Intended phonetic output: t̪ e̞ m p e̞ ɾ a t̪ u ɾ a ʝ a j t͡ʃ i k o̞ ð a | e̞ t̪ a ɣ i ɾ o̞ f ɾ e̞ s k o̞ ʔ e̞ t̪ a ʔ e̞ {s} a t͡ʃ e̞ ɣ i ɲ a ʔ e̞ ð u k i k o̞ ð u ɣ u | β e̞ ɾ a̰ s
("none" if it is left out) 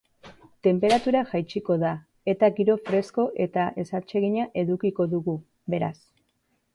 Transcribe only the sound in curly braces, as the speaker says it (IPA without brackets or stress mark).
s